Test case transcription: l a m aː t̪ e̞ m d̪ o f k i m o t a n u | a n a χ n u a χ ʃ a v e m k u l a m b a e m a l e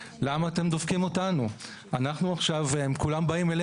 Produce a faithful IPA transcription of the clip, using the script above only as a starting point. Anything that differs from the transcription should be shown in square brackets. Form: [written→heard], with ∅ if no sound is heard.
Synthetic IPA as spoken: l a m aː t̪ e̞ m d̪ o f k i m o t a n u | a n a χ n u a χ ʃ a v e m k u l a m b a [e→i] m [a→e] l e

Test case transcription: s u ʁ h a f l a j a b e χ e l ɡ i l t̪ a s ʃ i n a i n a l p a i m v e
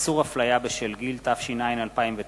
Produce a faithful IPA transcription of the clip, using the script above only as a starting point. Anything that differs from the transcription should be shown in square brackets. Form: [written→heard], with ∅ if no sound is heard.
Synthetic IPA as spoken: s u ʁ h a f l a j a b e [χ→ʃ] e l ɡ i l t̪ a [s→f] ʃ i n a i n a l p a i m v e

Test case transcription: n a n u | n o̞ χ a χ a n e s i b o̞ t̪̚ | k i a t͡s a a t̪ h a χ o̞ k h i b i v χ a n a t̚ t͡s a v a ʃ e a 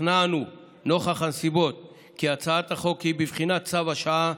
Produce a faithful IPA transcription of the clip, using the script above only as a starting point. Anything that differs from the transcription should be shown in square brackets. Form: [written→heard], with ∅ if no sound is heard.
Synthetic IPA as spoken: n a n u | n o̞ χ a χ a n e s i b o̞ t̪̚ | k i a t͡s a a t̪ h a χ o̞ k h i b i v χ [a→i] n a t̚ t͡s a v a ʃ [e→a] a

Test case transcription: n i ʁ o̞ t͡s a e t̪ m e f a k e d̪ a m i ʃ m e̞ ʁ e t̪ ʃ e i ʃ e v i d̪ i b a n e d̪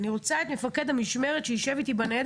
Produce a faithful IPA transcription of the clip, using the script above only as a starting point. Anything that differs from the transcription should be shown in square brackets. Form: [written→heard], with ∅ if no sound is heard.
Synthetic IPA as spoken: n i ʁ o̞ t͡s a e t̪ m e f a k e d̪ a m i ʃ m e̞ ʁ e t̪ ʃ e i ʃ e v i [d̪→t̪] i b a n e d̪

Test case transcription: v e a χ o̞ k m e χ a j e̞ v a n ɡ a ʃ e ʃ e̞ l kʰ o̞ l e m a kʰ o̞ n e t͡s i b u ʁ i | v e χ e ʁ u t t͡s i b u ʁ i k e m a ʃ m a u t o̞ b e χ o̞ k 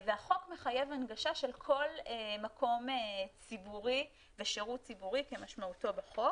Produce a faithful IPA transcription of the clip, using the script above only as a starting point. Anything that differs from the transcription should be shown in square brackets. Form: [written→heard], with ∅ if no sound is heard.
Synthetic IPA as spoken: v e a χ o̞ k m e χ a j e̞ v a n ɡ a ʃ [e→a] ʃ e̞ l kʰ o̞ l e m a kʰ o̞ [n→m] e t͡s i b u ʁ i | v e [χ→ʃ] e ʁ u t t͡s i b u ʁ i k e m a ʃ m a u t o̞ b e χ o̞ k

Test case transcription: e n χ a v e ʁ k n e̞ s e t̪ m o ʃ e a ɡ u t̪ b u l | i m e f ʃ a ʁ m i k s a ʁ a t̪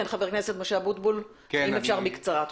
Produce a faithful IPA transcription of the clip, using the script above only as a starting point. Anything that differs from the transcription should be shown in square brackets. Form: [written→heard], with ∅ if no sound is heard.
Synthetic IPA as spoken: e n χ a v e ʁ k n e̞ s e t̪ m o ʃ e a [ɡ→b] u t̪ b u l | i m e f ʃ a ʁ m i k [s→t͡s] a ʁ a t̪

